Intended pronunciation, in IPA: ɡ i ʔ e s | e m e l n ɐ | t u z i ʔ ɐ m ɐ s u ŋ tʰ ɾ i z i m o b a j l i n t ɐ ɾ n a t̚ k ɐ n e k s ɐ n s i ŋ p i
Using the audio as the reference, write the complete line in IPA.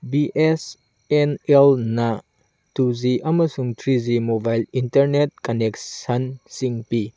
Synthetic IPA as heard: b i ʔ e s | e n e l n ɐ | t u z i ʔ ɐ m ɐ s u ŋ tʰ ɾ i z i m o b a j l i n t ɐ ɾ n e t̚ k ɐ n e k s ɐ n s i ŋ p i

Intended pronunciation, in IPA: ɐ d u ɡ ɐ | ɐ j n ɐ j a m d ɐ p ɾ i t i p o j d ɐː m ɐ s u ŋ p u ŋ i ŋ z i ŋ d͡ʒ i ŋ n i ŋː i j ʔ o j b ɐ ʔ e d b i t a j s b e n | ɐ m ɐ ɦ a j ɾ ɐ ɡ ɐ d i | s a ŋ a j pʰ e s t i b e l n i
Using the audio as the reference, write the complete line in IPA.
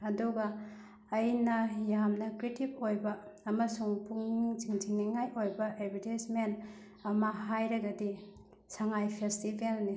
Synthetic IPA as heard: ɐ d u ɡ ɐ | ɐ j n ɐ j a m n ɐ k ɾ i t i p o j b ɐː m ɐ s u ŋ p u ŋ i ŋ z i ŋ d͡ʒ i ŋ n i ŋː a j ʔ o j b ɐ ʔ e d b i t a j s m e n | ɐ m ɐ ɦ a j ɾ ɐ ɡ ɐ d i | s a ŋ a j pʰ e s t i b e l n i

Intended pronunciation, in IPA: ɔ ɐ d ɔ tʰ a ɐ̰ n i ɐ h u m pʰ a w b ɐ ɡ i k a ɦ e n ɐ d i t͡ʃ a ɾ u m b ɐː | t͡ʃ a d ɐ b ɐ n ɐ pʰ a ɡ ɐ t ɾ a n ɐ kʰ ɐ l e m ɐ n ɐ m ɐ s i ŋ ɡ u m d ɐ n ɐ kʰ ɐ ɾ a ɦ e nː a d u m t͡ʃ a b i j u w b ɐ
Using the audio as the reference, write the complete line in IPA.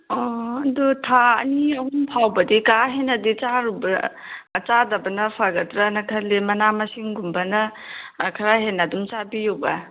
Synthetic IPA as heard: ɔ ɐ d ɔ tʰ a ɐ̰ n i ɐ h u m pʰ a w b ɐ d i k a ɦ e n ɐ d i t͡ʃ a ɾ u b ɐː | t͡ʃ a d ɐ b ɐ n ɐ pʰ a ɡ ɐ t ɾ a n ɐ kʰ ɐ l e m ɐ n a m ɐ s i ŋ ɡ u m b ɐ n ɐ kʰ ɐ ɾ a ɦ e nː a d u m t͡ʃ a b i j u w b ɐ

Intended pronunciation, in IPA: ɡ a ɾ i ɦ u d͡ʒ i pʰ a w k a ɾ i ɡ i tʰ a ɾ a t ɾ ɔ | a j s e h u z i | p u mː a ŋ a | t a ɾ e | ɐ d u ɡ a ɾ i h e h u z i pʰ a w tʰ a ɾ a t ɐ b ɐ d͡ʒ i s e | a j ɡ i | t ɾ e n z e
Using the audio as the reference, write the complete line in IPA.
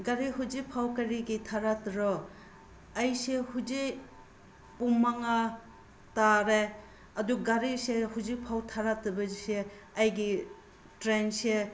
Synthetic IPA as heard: ɡ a ɾ i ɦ u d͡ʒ i pʰ a w k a ɾ i ɡ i tʰ a ɾ a t ɾ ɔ | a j s e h u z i | p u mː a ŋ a | t a ɾ e | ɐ d u ɡ a ɾ i s e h u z i pʰ a w tʰ a ɾ a t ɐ b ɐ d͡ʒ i s e | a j ɡ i | t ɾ e n s e

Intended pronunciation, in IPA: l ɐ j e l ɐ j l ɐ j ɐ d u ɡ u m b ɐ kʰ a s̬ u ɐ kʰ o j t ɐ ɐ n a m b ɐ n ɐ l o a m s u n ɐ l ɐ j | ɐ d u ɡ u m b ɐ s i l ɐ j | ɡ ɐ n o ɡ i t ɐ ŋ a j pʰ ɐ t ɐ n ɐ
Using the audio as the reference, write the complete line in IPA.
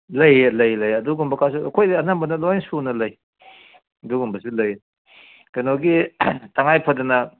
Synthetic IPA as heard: l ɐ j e l ɐ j l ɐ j ɐ d u ɡ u m b ɐ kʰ a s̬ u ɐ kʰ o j d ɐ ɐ n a m b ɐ n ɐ l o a n s u n ɐ l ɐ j | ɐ d u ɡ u m b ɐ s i l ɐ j | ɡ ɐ n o ɡ i t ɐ ŋ a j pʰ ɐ d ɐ n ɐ

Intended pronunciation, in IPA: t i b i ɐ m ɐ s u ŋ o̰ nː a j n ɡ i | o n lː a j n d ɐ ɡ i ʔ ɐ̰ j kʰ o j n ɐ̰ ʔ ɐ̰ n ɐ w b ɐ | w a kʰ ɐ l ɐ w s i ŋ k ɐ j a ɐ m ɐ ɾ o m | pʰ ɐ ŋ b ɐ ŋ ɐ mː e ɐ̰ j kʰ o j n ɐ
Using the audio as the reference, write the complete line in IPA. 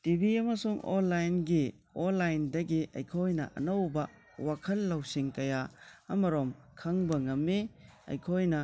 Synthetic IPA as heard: t i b i ɐ m ɐ s u ŋ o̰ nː a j n ɡ i | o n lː a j n d ɐ ɡ i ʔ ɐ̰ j kʰ o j n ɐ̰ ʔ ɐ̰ n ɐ w b ɐ | w a kʰ ɐ lː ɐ w s i ŋ k ɐ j a ɐ m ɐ ɾ o m | kʰ ɐ ŋ b ɐ ŋ ɐ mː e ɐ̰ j kʰ o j n ɐ

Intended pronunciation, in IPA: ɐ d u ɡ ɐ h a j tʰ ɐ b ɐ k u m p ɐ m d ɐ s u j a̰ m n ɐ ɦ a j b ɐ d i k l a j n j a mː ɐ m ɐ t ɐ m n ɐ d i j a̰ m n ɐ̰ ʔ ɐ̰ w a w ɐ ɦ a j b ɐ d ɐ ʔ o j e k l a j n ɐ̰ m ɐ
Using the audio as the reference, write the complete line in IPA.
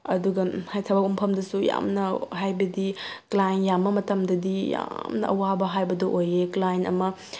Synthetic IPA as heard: ɐ d u ɡ ɐ h a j tʰ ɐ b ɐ k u m pʰ ɐ m d ɐ s u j a̰ m n ɐ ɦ a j b ɐ d i k l a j n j a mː ɐ m ɐ t ɐ m d ɐ d i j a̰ m n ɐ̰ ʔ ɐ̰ w a b ɐ ɦ a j b ɐ d ɐ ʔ o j e k l a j n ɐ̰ m ɐ

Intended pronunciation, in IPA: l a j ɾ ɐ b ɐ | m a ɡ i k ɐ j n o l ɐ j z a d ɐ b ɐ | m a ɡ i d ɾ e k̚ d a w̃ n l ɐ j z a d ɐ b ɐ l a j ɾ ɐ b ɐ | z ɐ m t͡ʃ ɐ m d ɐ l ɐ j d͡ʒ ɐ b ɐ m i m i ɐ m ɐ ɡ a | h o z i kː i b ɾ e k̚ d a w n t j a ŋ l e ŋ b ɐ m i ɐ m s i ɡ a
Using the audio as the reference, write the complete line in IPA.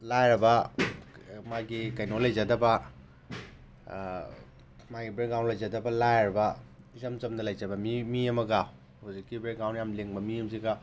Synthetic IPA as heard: l a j ɾ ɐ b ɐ | m a ɡ i k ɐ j n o l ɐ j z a d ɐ b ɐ | m a ɡ i b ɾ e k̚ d a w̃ n l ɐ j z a d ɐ b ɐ l a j ɾ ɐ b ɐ | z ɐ m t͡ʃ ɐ m d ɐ l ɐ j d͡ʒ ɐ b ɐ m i m i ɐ m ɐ ɡ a | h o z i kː i b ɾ e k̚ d a w n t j a m l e ŋ b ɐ m i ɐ m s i ɡ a

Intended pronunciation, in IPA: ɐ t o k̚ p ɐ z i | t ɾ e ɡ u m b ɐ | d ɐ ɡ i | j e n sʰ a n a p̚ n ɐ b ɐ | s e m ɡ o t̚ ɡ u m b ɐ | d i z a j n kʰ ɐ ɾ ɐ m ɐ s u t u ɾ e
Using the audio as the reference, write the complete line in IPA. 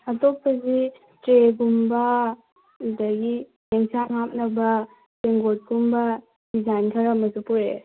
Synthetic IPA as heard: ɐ t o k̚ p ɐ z i | t ɾ e ɡ u m b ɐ | d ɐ ɡ i | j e ŋ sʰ a ŋ a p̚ n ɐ b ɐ | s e ŋ ɡ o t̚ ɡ u m b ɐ | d i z a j n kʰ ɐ ɾ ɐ m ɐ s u p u ɾ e

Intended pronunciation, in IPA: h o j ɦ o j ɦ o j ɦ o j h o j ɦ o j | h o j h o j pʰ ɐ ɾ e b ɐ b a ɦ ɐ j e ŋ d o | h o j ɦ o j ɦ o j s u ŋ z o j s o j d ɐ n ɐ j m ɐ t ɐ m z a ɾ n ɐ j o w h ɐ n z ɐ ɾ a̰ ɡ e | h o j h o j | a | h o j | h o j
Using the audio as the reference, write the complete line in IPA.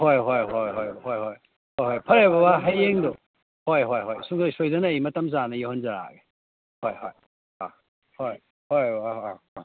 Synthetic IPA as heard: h o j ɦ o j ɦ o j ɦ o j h o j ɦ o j | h o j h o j pʰ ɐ ɾ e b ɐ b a ɦ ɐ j e ŋ d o | h o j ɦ o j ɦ o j s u ŋ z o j s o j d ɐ n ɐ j m ɐ t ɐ m z a n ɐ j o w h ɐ n z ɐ ɾ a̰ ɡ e | h o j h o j | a | h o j | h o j

